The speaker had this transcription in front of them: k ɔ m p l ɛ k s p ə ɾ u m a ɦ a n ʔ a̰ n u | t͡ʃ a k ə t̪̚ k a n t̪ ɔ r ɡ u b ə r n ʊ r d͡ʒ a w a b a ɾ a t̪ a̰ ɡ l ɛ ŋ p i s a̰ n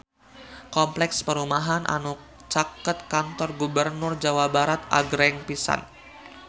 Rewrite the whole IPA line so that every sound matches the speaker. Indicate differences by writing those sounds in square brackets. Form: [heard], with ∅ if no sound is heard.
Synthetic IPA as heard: k ɔ m p l ɛ k s p ə ɾ u m a ɦ a n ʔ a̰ n u | t͡ʃ a k ə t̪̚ k a n t̪ ɔ r ɡ u b ə r n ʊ r d͡ʒ a w a b a ɾ a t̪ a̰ ɡ [ɾ] ɛ ŋ p i s a̰ n